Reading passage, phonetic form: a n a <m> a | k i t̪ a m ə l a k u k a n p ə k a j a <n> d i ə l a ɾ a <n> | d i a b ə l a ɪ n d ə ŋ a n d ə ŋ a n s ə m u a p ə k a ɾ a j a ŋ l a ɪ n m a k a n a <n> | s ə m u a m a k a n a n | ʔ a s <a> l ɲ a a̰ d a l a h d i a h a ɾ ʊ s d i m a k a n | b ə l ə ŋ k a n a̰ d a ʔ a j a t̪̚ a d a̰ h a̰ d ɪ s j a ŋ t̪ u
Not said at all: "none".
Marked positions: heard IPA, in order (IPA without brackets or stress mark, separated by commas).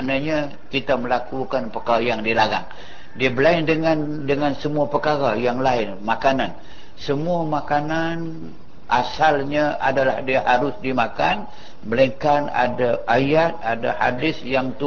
ɲ, ŋ, ŋ, n, a